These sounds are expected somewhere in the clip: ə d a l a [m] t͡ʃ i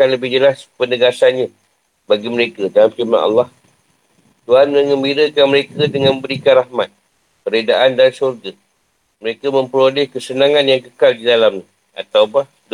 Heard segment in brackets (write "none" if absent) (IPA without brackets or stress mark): m